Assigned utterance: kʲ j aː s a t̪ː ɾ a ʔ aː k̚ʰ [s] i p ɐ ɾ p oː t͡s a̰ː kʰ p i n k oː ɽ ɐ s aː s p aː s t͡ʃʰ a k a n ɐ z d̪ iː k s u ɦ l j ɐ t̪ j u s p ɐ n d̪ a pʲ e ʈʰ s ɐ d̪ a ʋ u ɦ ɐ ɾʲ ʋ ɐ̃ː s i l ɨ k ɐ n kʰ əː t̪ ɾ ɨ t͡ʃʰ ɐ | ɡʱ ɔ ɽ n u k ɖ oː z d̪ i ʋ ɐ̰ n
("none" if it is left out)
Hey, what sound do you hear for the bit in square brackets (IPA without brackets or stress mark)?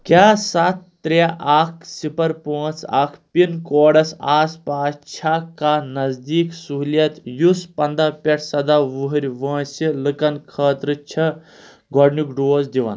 s